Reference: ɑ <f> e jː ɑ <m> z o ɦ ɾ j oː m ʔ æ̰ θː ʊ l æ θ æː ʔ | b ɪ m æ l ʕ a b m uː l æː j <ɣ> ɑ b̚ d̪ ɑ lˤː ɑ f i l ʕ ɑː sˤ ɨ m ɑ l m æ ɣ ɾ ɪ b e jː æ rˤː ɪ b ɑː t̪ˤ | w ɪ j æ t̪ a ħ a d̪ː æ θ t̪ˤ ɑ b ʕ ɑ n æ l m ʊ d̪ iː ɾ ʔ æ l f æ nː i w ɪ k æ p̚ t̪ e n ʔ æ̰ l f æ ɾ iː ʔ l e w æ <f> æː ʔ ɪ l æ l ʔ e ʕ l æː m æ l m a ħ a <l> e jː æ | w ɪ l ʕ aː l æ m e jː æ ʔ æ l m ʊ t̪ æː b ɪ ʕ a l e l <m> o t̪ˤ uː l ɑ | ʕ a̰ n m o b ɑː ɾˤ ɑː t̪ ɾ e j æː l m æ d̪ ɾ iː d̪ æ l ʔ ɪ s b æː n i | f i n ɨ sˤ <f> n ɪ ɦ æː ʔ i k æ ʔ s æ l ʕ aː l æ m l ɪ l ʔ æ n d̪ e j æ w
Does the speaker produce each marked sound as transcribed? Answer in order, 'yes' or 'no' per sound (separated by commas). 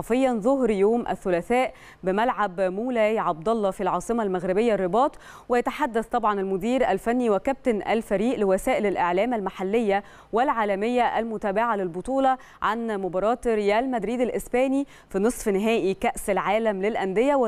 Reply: yes, no, no, no, no, no, yes